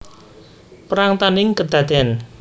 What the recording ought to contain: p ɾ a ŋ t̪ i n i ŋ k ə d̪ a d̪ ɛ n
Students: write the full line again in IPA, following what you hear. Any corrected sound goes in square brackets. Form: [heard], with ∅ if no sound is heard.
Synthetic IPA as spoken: p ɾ a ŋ t̪ [a] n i ŋ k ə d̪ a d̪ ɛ n